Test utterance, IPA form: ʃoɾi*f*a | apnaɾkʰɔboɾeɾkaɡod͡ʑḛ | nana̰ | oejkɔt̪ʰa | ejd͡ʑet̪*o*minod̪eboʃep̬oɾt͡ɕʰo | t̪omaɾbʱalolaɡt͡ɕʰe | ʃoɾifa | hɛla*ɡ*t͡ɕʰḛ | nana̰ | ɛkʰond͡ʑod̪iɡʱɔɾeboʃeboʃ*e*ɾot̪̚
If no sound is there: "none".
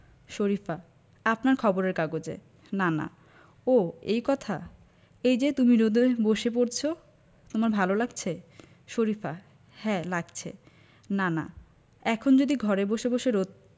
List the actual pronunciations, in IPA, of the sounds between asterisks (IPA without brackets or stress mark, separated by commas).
f, u, ɡ, e